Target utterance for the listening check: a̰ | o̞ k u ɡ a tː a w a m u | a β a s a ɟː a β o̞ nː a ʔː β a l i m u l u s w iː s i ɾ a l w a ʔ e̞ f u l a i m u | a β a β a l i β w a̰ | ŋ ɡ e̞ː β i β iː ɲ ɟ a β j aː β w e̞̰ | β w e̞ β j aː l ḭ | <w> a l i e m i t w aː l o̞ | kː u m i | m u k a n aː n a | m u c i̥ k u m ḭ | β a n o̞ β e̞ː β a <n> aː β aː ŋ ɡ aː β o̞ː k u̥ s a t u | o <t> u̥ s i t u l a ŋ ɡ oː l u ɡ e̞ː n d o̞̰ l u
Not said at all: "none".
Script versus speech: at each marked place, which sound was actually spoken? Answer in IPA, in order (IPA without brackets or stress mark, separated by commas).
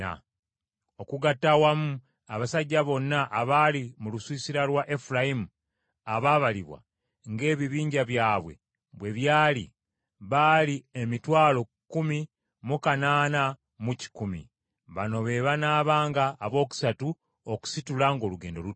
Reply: β, n, k